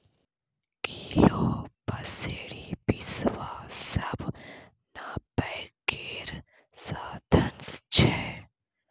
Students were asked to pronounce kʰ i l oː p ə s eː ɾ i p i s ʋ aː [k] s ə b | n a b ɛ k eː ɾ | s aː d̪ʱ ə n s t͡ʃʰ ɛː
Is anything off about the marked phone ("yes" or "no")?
yes